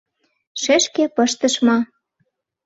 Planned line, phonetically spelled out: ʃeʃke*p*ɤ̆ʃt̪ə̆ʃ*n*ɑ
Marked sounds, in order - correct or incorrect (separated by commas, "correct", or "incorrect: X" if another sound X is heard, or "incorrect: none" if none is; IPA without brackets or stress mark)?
correct, incorrect: m